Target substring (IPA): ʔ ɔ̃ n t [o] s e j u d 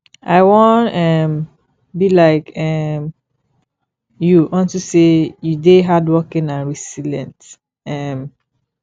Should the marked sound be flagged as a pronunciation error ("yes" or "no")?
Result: yes